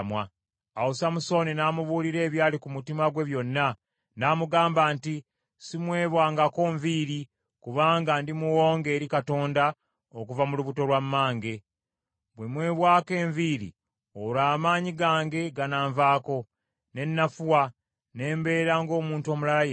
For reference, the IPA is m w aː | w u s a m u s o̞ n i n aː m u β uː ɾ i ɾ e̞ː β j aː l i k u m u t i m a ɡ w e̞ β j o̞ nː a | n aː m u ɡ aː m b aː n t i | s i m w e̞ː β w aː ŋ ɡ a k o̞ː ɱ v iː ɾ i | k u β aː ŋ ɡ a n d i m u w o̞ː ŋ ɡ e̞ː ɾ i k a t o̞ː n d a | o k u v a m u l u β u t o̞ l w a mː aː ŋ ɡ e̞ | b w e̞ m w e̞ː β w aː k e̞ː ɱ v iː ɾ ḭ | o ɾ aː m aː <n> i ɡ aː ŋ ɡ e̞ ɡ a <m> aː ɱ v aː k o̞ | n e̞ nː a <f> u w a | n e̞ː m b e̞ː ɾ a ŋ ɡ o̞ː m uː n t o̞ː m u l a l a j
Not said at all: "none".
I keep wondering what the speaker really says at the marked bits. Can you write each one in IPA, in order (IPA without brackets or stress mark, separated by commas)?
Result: ɲ, n, f